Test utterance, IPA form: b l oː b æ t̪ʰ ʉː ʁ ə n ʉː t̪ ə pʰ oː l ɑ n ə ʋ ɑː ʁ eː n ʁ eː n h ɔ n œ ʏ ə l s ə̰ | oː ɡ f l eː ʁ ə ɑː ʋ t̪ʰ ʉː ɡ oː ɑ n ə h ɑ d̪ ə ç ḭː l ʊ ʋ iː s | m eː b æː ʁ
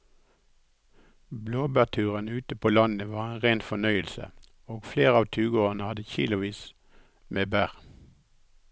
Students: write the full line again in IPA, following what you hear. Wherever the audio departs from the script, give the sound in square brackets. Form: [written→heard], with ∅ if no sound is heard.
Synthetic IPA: b l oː b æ t̪ʰ ʉː ʁ ə n ʉː t̪ ə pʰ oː l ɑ n ə ʋ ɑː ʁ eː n ʁ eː n [h→f] ɔ n œ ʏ ə l s ə̰ | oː ɡ f l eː ʁ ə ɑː ʋ t̪ʰ ʉː ɡ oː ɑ n ə h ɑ d̪ ə ç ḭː l ʊ ʋ iː s | m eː b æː ʁ